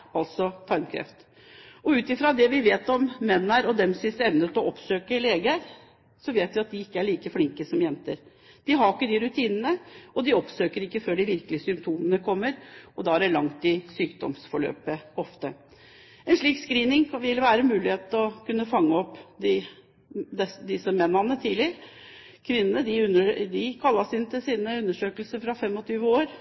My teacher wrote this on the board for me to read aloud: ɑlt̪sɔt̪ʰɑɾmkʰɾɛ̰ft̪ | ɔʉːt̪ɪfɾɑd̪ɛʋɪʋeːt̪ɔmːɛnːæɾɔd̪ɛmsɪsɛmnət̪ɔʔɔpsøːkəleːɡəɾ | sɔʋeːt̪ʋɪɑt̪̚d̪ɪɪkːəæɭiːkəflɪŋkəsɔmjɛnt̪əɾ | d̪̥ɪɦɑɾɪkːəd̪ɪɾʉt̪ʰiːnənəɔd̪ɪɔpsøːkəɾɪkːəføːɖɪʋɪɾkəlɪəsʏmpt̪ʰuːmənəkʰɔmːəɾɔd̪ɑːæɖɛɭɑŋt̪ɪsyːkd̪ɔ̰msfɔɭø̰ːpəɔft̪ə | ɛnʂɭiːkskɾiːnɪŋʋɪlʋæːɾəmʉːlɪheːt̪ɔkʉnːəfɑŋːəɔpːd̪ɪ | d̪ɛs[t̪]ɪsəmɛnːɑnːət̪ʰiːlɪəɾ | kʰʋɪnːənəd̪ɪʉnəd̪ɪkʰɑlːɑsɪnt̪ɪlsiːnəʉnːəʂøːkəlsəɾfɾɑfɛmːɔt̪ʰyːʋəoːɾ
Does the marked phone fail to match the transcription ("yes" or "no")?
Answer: yes